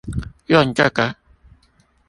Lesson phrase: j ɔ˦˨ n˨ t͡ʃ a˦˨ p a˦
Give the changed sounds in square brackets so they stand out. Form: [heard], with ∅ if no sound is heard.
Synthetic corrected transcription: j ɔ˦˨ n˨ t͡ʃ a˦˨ [k] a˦